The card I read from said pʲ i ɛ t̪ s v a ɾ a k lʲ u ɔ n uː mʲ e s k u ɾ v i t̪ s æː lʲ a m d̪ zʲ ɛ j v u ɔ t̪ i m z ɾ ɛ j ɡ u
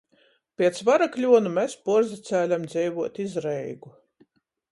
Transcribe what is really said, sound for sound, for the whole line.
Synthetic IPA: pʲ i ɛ t̪ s v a ɾ a k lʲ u ɔ n u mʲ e s p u ɾ z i t̪ s æː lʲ a m d̪ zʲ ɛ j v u ɔ t̪ i z ɾ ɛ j ɡ u

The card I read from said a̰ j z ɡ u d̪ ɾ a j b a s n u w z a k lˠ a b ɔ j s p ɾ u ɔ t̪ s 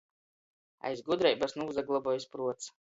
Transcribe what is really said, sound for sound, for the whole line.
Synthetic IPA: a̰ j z ɡ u d̪ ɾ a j b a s n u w z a ɡ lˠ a b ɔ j s p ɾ u ɔ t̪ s

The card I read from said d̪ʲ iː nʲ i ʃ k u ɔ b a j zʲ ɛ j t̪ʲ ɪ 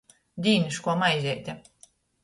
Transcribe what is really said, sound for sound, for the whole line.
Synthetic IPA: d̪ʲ iː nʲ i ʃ k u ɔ m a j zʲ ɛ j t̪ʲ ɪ

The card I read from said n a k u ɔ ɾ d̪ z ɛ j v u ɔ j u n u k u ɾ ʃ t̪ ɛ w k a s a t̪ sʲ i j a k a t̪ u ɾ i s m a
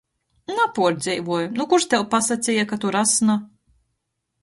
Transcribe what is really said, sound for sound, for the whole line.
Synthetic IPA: n a p u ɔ ɾ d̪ z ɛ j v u ɔ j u n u k u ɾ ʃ t̪ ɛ w p a s a t̪ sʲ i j a k a t̪ u ɾ a s n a

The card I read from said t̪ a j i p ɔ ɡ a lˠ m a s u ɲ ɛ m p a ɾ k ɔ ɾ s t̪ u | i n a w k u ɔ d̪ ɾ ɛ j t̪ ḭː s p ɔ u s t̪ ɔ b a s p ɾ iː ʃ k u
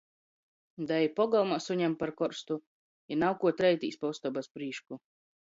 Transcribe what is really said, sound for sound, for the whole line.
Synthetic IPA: d̪ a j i p ɔ ɡ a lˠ m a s u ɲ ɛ m p a ɾ k ɔ ɾ s t̪ u | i n a w k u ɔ t̪ ɾ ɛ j t̪ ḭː s p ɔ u s t̪ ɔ b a s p ɾ iː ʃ k u

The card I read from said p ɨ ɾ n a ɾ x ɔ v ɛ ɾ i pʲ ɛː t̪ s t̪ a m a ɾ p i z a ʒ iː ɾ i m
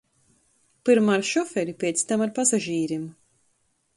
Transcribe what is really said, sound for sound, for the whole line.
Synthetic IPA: p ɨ ɾ m a ɾ ʃ ɔ f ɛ ɾ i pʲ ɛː t̪ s t̪ a m a ɾ p a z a ʒ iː ɾ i m

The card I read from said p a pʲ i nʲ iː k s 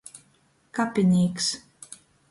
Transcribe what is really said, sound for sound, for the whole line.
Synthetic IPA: k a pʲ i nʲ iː k s

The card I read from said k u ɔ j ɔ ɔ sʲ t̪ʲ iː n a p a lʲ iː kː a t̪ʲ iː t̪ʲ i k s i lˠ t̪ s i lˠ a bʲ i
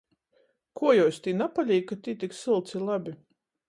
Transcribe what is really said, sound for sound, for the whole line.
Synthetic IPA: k u ɔ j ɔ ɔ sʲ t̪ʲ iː n a p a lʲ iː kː a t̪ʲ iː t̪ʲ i k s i lˠ t̪ s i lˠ a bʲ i

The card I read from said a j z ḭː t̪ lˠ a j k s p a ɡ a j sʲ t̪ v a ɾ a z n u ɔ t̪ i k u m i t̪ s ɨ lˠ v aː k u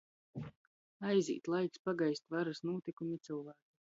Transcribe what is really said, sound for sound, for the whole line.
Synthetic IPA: a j z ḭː t̪ lˠ a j k s p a ɡ a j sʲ t̪ v a ɾ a s n u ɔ t̪ i k u m i t̪ s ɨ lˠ v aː k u

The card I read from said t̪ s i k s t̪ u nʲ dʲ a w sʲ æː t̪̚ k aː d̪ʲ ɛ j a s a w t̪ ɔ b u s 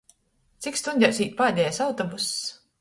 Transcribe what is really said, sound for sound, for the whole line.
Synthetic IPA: t̪ s i k s t̪ u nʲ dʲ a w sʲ iː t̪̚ p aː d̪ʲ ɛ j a s a w t̪ ɔ b u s

